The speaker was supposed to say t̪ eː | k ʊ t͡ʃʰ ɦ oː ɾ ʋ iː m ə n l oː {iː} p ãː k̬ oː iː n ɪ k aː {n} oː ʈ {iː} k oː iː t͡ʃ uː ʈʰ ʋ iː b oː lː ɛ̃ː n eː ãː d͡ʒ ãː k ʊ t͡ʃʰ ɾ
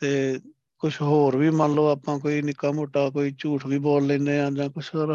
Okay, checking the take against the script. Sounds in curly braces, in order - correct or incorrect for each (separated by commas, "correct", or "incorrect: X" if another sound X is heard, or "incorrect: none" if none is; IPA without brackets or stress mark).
incorrect: aː, incorrect: m, incorrect: aː